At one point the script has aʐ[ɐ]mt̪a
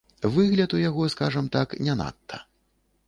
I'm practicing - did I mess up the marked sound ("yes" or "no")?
no